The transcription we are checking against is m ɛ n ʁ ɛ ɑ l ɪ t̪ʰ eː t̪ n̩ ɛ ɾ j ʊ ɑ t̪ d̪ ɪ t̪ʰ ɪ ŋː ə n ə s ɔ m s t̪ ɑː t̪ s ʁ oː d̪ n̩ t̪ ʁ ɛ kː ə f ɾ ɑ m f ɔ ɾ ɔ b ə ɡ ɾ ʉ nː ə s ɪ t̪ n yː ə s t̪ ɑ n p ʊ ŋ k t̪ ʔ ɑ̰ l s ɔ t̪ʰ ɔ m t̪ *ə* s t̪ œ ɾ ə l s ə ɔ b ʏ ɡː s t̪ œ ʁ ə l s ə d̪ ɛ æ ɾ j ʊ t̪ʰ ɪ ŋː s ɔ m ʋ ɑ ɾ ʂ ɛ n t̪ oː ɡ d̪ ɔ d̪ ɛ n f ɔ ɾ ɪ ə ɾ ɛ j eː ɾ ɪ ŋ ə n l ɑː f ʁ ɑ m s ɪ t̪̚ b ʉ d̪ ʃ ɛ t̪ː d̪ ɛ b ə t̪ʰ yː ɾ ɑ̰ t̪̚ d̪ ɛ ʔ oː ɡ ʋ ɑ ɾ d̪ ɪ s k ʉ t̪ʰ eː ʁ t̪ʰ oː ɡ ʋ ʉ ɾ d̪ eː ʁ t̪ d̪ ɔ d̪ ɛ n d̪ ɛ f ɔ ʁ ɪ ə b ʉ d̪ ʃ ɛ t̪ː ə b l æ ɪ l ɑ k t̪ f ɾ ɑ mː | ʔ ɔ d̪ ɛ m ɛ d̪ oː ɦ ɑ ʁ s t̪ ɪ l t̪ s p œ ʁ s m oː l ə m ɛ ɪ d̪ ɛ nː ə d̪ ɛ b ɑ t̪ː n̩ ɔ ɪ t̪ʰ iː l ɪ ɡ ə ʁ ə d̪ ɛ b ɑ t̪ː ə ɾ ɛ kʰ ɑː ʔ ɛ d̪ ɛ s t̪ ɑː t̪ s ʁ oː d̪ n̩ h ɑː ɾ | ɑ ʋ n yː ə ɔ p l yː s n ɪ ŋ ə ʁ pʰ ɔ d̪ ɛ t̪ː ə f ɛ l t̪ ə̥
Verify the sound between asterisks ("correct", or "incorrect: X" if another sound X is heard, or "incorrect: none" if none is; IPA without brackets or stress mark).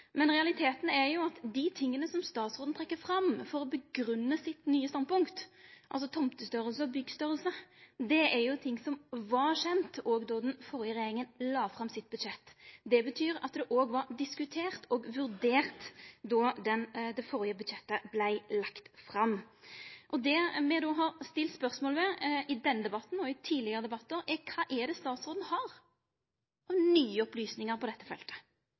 correct